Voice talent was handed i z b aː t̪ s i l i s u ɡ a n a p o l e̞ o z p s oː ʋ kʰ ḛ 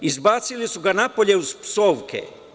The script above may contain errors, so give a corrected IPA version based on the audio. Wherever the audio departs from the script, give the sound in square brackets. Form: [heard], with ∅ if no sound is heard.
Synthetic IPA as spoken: i z b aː t̪ s i l i s u ɡ a n a p o [ʎ] e̞ [u] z p s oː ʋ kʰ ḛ